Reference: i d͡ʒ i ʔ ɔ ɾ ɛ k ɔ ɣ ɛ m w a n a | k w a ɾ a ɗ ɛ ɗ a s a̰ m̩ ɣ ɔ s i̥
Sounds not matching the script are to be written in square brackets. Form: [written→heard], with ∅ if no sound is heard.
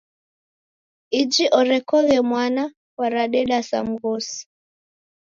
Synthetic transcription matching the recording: i d͡ʒ i ʔ ɔ ɾ ɛ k ɔ ɣ ɛ m w a n a | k w a ɾ a ɗ ɛ ɗ a s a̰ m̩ ɣ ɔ s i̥